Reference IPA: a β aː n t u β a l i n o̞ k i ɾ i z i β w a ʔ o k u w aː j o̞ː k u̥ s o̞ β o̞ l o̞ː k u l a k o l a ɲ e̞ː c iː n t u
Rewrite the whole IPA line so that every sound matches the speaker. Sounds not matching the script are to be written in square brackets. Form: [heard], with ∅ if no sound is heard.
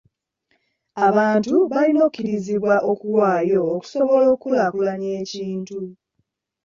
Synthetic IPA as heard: a β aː n t u β a l i n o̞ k i ɾ i z i β w a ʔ o k u w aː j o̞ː k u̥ s o̞ β o̞ l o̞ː k u l a k [u] l a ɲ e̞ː c iː n t u

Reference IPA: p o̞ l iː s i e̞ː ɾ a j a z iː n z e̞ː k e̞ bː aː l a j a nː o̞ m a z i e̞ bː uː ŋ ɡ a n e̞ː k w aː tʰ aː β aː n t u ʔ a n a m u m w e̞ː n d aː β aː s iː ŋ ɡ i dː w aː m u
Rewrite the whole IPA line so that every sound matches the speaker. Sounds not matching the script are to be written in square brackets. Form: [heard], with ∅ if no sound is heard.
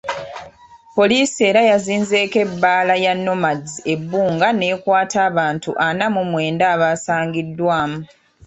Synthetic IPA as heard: p o̞ l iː s i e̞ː ɾ a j a z iː n z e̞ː k e̞ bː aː l a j a nː o̞ m a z i e̞ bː uː ŋ ɡ a n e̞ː k w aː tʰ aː β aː n t u ʔ a n a m u m w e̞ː n d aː β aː s [aː] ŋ ɡ i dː w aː m u

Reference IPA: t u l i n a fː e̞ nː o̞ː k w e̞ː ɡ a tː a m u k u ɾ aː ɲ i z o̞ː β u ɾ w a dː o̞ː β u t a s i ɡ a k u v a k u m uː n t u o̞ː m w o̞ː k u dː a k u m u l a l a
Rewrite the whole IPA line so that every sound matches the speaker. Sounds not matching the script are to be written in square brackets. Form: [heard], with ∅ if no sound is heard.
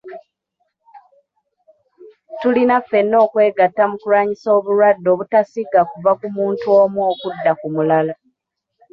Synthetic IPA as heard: t u l i n a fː e̞ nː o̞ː k w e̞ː ɡ a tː a m u k u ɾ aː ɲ i [s] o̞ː β u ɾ w a dː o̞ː β u t a s i ɡ a k u v a k u m uː n t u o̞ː m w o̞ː k u dː a k u m u l a l a

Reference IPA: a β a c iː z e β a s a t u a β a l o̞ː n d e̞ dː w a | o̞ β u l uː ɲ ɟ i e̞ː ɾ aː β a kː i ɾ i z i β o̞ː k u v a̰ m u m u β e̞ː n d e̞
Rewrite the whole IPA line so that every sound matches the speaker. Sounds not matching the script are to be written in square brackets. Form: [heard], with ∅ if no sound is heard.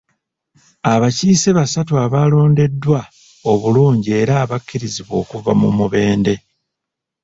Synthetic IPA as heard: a β a c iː [s] e β a s a t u a β a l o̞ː n d e̞ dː w a | o̞ β u l uː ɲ ɟ i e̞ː ɾ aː β a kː i ɾ i z i β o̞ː k u v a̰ m u m u β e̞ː n d e̞

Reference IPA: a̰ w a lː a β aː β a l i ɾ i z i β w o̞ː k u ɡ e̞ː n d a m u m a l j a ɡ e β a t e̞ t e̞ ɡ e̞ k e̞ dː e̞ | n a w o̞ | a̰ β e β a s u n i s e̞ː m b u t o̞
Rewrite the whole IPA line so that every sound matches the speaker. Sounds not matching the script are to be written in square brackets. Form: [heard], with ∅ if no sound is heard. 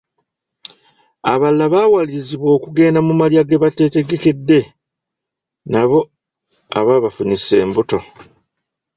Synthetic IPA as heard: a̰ [β] a lː a β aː [w] a l i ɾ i z i β w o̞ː k u ɡ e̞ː n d a m u m a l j a ɡ e β a t e̞ t e̞ ɡ e̞ k e̞ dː e̞ | n a [β] o̞ | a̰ β [a] β a [f] u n i s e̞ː m b u t o̞

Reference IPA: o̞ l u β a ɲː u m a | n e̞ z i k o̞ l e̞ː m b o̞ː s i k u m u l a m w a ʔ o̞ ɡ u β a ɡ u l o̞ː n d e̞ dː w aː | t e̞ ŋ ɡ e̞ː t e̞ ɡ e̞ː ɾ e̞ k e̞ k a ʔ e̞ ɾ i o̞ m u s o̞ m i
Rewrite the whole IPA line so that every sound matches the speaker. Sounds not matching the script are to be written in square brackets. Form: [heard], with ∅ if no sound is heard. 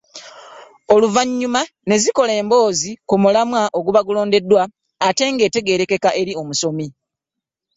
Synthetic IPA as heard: o̞ l u [v] a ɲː u m a | n e̞ z i k o̞ l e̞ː m b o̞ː [z] i k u m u l a m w a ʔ o̞ ɡ u β a ɡ u l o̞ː n d e̞ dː w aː | t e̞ ŋ ɡ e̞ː t e̞ ɡ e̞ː ɾ e̞ k e̞ k a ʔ e̞ ɾ i o̞ m u s o̞ m i

